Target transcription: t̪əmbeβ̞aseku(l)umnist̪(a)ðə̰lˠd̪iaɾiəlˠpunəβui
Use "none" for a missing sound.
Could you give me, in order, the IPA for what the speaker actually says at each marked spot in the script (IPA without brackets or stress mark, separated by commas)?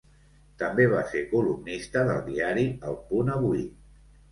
l, ə